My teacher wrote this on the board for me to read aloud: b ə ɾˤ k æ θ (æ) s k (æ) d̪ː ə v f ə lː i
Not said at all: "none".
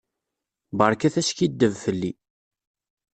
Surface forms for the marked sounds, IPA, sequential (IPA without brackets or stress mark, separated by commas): æ, i